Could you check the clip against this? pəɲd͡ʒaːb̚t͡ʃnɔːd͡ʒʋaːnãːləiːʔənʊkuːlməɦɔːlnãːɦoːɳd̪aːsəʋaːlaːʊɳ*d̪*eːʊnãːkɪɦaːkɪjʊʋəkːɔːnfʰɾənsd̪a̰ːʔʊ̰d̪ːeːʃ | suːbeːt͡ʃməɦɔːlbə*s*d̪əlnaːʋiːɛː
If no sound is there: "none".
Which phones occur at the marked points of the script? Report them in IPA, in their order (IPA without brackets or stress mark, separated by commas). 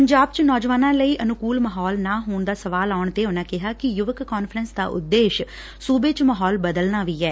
t̪, none